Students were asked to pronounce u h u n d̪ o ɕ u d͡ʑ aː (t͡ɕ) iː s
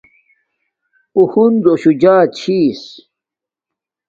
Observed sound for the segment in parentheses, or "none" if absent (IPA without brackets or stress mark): t͡ɕʰ